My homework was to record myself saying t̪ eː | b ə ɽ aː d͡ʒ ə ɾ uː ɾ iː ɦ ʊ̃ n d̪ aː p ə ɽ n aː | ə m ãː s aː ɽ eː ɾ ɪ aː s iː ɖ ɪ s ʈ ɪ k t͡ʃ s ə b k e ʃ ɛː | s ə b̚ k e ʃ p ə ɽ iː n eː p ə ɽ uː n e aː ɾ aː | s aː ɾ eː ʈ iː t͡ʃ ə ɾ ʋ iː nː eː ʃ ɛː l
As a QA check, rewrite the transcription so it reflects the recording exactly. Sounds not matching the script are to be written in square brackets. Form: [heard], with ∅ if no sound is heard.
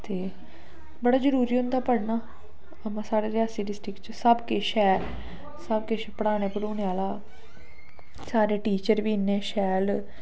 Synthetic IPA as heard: t̪ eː | b ə ɽ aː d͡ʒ ə ɾ uː ɾ iː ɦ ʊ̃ n d̪ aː p ə ɽ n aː | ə m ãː s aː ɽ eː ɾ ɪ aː s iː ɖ ɪ s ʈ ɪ k t͡ʃ s ə b k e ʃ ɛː | s ə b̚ k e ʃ p ə ɽ [aː] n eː p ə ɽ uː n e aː [l] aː | s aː ɾ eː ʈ iː t͡ʃ ə ɾ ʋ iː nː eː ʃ ɛː l